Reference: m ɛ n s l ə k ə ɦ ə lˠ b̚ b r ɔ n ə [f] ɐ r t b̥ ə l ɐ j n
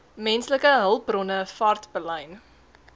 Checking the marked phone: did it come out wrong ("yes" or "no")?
no